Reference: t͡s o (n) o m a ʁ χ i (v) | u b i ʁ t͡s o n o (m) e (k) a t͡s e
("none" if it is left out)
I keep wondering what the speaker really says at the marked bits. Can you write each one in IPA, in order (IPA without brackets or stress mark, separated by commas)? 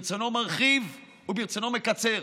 n, v, m, k